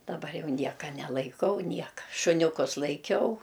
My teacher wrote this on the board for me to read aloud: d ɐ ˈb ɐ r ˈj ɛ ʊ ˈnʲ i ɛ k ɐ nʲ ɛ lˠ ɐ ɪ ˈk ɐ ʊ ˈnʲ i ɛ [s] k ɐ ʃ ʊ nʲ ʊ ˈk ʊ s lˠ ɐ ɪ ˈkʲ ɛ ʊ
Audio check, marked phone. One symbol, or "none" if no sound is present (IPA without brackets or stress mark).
none